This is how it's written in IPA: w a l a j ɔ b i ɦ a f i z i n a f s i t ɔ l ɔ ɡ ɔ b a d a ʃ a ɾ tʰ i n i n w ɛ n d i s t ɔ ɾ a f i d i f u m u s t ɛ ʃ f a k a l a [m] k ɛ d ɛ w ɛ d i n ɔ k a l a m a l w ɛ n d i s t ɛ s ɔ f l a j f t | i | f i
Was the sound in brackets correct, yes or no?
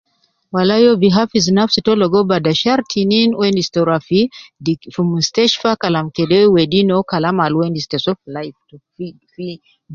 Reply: yes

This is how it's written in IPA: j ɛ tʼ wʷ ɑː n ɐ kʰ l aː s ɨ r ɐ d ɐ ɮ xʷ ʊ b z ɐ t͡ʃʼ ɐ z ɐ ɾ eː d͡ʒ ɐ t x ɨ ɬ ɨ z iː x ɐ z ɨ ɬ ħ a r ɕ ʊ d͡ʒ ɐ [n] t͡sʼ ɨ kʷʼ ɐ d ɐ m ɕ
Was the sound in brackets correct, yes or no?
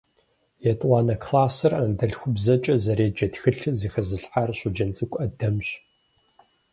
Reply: yes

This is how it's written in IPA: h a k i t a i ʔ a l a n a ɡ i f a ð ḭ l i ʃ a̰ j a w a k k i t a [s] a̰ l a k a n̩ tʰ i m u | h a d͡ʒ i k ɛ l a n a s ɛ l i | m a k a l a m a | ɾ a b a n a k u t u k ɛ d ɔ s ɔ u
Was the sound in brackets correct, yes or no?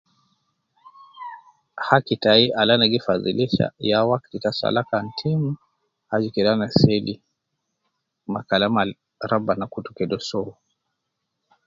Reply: yes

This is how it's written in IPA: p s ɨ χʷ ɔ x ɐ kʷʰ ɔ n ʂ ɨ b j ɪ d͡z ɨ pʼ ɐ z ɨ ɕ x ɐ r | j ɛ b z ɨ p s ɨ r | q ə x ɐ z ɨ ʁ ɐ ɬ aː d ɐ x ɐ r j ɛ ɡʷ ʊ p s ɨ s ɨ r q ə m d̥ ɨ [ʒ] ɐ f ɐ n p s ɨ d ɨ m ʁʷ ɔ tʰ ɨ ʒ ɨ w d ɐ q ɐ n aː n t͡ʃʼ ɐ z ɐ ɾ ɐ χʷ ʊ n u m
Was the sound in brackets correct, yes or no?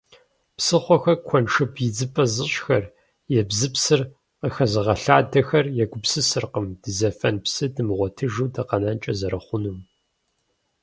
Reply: no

